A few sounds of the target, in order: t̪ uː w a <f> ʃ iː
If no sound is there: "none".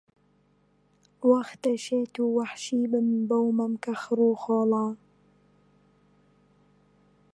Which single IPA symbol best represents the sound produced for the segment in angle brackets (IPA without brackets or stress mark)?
ħ